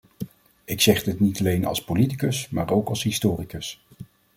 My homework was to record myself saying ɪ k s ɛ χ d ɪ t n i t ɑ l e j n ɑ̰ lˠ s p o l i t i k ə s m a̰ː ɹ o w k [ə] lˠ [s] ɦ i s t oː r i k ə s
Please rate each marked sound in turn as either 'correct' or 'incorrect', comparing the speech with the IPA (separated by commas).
incorrect, correct